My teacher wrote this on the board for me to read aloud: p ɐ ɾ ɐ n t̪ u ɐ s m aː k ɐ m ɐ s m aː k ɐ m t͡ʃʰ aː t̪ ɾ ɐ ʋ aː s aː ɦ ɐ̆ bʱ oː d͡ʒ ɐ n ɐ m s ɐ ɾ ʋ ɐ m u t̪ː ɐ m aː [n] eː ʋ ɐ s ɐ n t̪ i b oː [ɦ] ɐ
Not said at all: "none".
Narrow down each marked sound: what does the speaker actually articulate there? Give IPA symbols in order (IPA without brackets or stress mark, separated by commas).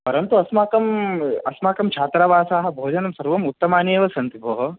n, ɦ